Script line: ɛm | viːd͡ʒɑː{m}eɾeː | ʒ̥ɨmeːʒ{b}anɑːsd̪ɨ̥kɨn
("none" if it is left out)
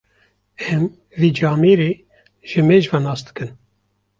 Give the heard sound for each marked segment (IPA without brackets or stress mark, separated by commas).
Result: m, v